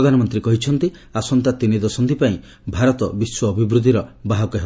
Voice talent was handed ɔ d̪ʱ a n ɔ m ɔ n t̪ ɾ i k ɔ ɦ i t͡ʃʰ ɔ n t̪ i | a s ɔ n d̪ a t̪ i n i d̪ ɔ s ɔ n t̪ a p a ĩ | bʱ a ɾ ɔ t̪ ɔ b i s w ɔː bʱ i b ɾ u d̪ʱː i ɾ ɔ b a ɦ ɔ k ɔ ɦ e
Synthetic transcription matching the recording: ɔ d̪ʱ a n ɔ m ɔ n t̪ ɾ i k ɔ ɦ i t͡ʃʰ ɔ n t̪ i | a s ɔ n t̪ a t̪ i n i d̪ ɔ s ɔ n t̪ i p a ĩ | bʱ a ɾ ɔ t̪ ɔ b i s w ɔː bʱ i b ɾ u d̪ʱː i ɾ ɔ b a ɦ ɔ k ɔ ɦ e

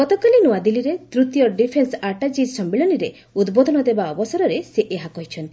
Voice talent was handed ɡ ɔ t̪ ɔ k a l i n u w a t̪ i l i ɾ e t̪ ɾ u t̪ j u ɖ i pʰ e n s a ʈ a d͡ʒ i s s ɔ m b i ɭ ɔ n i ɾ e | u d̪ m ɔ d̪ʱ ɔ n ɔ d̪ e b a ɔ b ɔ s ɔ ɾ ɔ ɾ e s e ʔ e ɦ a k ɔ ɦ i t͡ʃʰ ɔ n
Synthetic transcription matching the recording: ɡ ɔ t̪ ɔ k a l i n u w a d̪ i l i ɾ e t̪ ɾ u t̪ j ɔ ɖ i pʰ e n s a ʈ a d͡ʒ i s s ɔ m b i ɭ ɔ n i ɾ e | u d̪ b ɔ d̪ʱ ɔ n ɔ d̪ e b a ɔ b ɔ s ɔ ɾ ɔ ɾ e s e ʔ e ɦ a k ɔ ɦ i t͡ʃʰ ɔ n

